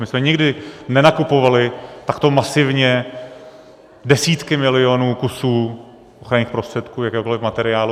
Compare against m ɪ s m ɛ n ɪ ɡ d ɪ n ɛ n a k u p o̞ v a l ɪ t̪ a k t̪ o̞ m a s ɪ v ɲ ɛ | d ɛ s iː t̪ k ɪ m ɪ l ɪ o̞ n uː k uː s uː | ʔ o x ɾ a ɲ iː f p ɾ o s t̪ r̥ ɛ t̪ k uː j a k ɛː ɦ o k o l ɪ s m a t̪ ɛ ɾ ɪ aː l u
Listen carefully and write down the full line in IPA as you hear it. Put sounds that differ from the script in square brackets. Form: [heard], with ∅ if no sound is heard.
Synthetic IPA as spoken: m ɪ s m ɛ [ɲ] ɪ ɡ d ɪ n ɛ n a k u p o̞ v a l ɪ t̪ a k t̪ o̞ m a s ɪ v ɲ ɛ | d ɛ s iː t̪ k ɪ m ɪ l ɪ o̞ n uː k [u] s uː | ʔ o x ɾ a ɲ iː [x] p ɾ o s t̪ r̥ ɛ t̪ k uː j a k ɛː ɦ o k o l ɪ [f] m a t̪ ɛ ɾ ɪ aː l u